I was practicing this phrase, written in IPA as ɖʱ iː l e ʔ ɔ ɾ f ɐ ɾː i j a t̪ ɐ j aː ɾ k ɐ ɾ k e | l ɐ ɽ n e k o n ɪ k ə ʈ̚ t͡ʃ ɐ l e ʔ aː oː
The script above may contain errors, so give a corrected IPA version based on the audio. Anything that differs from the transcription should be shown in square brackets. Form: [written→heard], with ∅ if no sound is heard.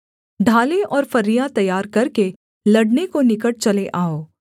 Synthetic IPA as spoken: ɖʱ [iː→aː] l e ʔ [ɔ→ɔː] ɾ f ɐ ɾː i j a t̪ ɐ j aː ɾ k ɐ ɾ k e | l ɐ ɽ n e k o n ɪ k ə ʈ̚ t͡ʃ ɐ l e ʔ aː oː